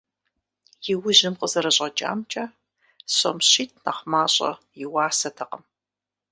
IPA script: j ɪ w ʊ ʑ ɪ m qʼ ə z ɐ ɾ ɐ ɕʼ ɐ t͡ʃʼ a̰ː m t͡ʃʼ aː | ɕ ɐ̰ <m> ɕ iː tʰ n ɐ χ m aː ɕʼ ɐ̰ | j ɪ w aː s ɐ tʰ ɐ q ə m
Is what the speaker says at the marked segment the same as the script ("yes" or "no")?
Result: yes